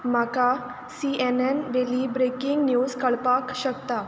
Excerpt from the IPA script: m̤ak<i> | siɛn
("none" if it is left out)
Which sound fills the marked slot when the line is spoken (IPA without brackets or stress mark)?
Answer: a